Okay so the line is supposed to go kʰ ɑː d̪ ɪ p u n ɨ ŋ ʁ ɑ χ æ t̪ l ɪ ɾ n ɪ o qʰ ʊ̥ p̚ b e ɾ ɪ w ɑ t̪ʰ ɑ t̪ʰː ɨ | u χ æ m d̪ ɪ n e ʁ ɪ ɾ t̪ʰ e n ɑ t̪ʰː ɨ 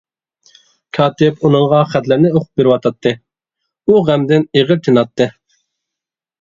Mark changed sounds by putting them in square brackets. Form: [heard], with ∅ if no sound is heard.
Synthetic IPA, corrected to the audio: kʰ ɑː [t̪] ɪ p u n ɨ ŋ ʁ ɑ χ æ t̪ l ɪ ɾ n ɪ o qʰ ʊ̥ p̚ b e ɾ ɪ w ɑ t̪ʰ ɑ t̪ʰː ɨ | u [ʁ] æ m d̪ ɪ n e ʁ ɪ ɾ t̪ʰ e n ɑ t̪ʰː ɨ